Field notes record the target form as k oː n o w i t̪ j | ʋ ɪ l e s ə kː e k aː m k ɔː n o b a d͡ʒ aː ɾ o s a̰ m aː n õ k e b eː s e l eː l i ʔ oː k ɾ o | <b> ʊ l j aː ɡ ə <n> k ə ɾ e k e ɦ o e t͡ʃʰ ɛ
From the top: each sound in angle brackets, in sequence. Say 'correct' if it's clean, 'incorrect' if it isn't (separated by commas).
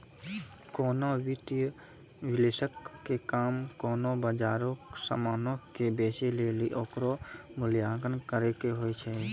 incorrect, correct